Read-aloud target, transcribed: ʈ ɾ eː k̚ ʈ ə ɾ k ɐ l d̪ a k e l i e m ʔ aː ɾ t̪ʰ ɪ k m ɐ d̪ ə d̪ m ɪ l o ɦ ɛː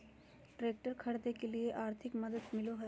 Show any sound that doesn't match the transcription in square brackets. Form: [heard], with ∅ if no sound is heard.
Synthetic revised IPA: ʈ ɾ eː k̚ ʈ ə ɾ [kʰ] ɐ [ɽ] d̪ [e] k e l i e [∅] ʔ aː ɾ t̪ʰ ɪ k m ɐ d̪ ə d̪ m ɪ l o ɦ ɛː